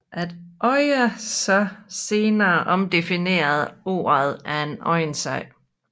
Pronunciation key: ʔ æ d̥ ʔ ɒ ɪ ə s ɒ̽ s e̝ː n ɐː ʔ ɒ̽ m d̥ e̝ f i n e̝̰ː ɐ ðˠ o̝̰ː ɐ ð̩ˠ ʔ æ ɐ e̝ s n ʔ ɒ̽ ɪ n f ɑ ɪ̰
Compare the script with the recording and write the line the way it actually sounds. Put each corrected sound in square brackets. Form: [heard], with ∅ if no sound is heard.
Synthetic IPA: ʔ æ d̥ ʔ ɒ ɪ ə s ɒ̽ s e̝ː n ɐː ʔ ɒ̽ m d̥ e̝ f i n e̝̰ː ɐ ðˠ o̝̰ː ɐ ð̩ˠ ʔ æ ɐ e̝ [∅] n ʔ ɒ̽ ɪ n [s] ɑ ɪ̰